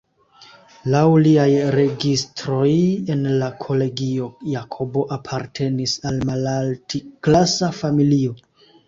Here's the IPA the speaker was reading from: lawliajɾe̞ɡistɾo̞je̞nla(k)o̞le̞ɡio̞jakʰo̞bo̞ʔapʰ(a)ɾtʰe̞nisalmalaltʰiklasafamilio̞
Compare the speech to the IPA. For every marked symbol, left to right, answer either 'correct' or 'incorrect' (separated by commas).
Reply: incorrect, correct